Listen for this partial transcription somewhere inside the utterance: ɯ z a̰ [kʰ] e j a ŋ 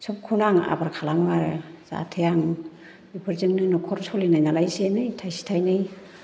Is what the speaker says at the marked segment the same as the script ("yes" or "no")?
no